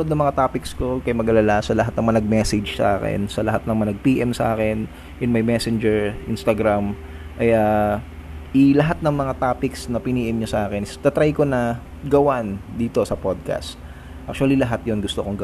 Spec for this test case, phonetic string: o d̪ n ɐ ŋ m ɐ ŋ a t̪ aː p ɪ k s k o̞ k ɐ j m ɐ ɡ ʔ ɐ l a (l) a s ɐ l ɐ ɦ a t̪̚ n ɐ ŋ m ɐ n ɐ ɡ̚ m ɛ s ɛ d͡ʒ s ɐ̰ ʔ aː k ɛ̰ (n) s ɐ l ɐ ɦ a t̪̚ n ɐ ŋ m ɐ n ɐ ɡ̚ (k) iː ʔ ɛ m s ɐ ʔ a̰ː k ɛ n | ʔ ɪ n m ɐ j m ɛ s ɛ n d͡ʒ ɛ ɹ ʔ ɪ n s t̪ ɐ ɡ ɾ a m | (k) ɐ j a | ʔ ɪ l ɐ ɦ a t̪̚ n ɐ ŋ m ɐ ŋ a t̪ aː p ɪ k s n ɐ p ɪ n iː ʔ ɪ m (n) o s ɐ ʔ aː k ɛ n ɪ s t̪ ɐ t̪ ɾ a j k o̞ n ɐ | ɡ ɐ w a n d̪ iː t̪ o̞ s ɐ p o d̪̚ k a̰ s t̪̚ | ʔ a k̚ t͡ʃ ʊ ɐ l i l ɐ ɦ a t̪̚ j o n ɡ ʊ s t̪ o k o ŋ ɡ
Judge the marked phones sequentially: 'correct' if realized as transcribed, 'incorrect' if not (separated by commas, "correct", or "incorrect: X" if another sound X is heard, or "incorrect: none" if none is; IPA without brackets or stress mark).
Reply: correct, correct, incorrect: p, incorrect: ʔ, incorrect: ɲ